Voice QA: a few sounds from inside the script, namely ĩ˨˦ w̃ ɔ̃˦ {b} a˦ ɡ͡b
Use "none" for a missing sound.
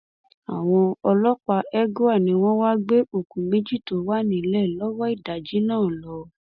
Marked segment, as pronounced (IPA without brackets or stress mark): w